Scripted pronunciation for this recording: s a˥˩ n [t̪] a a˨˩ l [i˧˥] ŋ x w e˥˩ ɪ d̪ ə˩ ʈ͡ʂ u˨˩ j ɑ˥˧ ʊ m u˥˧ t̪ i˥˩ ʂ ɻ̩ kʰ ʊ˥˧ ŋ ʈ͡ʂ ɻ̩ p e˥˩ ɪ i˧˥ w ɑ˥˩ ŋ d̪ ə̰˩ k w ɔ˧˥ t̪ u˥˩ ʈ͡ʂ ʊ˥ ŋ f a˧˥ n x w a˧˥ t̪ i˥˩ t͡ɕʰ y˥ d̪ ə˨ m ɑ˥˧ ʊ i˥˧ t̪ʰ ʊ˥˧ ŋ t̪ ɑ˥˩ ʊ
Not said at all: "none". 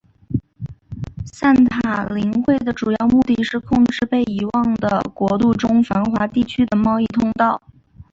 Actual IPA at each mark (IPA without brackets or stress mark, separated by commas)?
t̪ʰ, i˧˥